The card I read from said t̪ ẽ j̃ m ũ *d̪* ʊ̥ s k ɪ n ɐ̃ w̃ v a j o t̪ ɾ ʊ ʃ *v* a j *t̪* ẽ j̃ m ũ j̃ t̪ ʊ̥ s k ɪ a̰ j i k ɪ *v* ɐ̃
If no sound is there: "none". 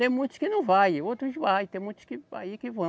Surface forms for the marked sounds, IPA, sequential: t̪, v, t̪, v

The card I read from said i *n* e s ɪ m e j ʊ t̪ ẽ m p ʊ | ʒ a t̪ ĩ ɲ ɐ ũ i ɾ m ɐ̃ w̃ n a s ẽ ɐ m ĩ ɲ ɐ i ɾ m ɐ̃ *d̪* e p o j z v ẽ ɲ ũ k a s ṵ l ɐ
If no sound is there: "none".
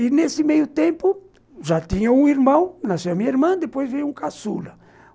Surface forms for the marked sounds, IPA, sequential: n, d̪

